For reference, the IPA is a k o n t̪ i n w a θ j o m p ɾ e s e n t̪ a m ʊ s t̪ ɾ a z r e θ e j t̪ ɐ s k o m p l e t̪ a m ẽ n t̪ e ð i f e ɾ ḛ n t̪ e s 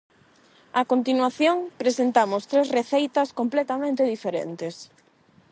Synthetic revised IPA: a k o n t̪ i n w a θ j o ŋ p ɾ e s e n t̪ a m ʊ s t̪ ɾ e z r e θ e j t̪ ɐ s k o m p l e t̪ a m ẽ n t̪ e ð i f e ɾ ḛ n t̪ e s